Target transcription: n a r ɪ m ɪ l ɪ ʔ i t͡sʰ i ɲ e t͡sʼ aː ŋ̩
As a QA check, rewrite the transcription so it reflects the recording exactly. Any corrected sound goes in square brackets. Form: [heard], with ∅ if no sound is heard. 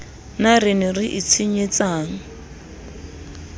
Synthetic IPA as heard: n a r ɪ [n] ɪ [r] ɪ ʔ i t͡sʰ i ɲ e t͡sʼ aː ŋ̩